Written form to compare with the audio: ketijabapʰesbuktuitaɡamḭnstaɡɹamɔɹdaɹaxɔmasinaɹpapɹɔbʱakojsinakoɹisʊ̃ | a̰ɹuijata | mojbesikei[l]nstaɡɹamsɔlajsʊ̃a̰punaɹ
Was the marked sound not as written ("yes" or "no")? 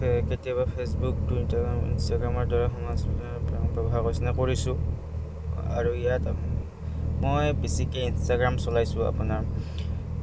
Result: yes